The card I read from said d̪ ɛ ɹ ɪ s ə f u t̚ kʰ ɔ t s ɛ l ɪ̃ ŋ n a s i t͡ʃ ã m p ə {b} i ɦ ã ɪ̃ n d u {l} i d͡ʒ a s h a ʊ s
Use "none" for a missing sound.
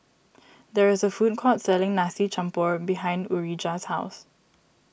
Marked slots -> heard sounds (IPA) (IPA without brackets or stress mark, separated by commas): b, ɹ